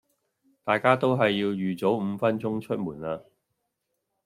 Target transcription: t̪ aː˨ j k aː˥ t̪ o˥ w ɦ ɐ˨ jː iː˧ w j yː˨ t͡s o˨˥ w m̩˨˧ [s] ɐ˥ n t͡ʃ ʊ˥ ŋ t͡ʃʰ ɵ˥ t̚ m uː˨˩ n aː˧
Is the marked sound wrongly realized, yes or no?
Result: yes